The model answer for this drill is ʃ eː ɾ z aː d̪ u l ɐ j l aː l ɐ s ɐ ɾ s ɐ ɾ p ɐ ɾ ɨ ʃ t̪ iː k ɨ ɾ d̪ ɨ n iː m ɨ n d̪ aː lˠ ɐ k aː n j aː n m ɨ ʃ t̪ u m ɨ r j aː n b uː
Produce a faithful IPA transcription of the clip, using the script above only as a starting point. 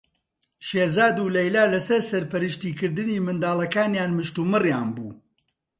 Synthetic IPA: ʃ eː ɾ z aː d̪ u l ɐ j l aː l ɐ s ɐ ɾ s ɐ ɾ p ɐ ɾ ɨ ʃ t̪ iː k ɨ ɾ d̪ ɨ n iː m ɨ n d̪ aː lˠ ɐ k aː n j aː n m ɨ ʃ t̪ u m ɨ r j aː n b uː

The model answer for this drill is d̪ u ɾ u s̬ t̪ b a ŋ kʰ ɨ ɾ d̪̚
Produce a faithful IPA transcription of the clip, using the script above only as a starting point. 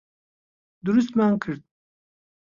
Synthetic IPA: d̪ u ɾ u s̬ t̪ m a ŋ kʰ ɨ ɾ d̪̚

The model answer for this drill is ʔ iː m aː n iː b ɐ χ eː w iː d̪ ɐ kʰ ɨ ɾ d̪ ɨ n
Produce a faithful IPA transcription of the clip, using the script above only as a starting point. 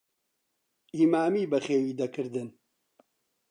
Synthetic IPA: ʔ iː m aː m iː b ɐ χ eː w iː d̪ ɐ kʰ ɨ ɾ d̪ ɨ n

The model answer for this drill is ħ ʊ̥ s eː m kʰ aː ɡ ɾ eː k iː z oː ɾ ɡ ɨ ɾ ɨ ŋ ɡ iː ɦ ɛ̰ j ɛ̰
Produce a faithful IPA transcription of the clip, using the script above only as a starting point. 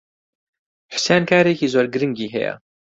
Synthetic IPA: ħ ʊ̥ s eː n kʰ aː ɾ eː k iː z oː ɾ ɡ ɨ ɾ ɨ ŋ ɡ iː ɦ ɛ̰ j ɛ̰

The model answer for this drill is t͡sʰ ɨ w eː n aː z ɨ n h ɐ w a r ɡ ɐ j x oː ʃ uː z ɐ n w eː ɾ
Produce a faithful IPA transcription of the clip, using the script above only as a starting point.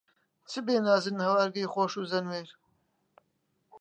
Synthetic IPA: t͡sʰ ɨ b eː n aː z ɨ n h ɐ w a ɾ ɡ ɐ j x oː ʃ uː z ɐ n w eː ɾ

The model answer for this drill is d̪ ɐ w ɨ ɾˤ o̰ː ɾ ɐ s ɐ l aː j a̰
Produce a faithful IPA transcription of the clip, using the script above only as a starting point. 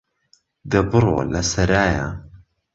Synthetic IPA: d̪ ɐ b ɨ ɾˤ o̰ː l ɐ s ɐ ɾ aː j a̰

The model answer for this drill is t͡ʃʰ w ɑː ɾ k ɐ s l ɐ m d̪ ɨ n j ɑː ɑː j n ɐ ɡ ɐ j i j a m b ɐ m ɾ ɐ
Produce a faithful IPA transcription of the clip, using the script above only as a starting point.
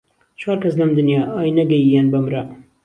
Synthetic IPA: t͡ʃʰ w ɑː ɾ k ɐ s l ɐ m d̪ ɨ n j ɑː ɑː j n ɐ ɡ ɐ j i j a n b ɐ m ɾ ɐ

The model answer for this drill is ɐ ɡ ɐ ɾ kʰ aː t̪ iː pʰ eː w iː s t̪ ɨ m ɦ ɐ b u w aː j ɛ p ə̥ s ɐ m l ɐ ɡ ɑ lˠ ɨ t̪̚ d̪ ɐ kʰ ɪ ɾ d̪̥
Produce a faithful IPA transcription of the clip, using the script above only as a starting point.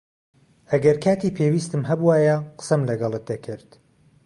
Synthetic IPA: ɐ ɡ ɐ ɾ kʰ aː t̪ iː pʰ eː w iː s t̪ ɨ m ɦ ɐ b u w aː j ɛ q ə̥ s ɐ m l ɐ ɡ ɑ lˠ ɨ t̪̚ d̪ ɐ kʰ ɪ ɾ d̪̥

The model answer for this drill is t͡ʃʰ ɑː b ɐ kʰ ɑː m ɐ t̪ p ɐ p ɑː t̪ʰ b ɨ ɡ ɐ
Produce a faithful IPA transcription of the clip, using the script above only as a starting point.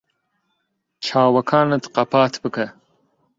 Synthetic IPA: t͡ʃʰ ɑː w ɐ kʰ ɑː n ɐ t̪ q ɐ p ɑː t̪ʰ b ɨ k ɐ

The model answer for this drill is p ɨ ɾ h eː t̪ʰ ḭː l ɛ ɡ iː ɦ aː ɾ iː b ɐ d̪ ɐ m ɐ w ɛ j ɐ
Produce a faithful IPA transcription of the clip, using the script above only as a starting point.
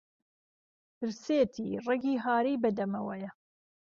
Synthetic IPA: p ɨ ɾ s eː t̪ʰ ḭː r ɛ ɡ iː ɦ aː ɾ iː b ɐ d̪ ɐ m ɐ w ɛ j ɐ

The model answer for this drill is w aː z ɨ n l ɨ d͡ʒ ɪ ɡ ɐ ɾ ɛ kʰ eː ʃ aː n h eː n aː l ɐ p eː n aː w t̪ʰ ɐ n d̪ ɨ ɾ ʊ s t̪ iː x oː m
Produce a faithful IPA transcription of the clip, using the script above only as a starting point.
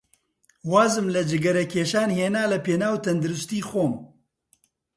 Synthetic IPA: w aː z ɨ m l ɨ d͡ʒ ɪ ɡ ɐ ɾ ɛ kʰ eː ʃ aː n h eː n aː l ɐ p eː n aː w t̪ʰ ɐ n d̪ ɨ ɾ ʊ s t̪ iː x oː m

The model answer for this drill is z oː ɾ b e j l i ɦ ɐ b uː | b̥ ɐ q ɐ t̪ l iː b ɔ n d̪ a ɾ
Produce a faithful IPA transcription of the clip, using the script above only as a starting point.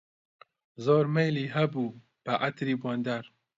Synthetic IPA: z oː ɾ m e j l i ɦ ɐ b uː | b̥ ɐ ʔ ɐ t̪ ɾ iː b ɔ n d̪ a ɾ

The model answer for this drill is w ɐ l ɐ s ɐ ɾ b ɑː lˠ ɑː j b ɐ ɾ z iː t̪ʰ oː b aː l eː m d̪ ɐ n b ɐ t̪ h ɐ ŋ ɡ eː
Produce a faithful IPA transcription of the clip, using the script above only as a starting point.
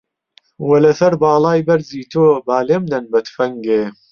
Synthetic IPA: w ɐ l ɐ s ɐ ɾ b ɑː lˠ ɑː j b ɐ ɾ z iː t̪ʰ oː b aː l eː m d̪ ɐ n b ɐ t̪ f ɐ ŋ ɡ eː

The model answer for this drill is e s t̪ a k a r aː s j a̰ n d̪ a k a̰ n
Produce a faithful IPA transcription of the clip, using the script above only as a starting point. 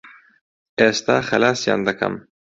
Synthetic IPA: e s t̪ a x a l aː s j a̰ n d̪ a k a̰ m

